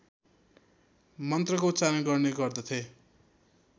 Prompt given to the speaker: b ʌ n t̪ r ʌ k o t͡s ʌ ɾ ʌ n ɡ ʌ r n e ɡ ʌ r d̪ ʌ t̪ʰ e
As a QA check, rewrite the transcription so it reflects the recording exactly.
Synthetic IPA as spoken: m ʌ n t̪ r ʌ k o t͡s a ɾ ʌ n ɡ ʌ r n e ɡ ʌ r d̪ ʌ t̪ʰ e